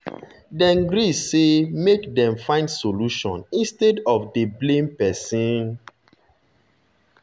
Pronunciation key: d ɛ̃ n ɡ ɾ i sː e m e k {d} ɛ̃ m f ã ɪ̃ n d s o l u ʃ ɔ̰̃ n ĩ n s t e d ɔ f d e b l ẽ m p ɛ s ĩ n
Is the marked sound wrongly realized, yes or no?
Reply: no